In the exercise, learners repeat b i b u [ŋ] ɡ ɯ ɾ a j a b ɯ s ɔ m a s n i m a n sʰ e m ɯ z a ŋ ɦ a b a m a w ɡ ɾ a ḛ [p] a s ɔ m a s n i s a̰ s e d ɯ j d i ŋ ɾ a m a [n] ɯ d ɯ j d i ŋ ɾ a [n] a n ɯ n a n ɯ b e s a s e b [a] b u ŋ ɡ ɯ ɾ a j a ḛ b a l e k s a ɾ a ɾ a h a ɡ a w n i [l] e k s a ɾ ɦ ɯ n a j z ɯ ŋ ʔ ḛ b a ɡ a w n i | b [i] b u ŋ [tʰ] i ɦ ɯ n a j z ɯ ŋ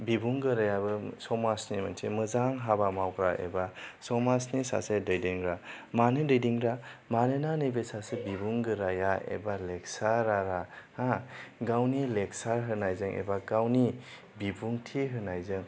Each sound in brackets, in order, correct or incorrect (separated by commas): correct, incorrect, correct, incorrect, incorrect, correct, correct, correct